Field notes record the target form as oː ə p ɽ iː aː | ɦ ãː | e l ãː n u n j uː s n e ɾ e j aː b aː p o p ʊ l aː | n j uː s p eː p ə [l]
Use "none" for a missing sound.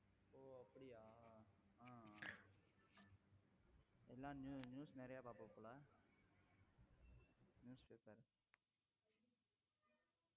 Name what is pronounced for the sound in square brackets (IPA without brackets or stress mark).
ɾ